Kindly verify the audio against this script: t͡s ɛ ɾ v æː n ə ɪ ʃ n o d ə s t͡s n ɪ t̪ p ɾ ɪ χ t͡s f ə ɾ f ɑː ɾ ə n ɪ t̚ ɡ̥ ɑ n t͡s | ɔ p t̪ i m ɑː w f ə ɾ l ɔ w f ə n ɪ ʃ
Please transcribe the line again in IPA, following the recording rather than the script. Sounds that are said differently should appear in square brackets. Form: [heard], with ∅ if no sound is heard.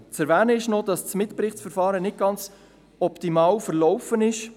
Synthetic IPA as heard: t͡s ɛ ɾ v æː n ə ɪ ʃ n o d [ɑ] s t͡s [m] ɪ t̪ p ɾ ɪ χ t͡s f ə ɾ f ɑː ɾ ə n ɪ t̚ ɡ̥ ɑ n t͡s | ɔ p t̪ i m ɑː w f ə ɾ l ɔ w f ə n ɪ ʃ